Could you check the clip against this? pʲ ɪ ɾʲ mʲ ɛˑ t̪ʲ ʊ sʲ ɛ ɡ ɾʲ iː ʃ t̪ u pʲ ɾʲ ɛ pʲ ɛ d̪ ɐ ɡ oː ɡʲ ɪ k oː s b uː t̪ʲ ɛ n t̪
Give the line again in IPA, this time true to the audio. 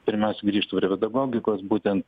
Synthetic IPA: pʲ ɪ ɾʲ mʲ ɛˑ ʊ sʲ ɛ ɡ ɾʲ iː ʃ t̪ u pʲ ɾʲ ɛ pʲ ɛ d̪ ɐ ɡ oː ɡʲ ɪ k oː s b uː t̪ʲ ɛ n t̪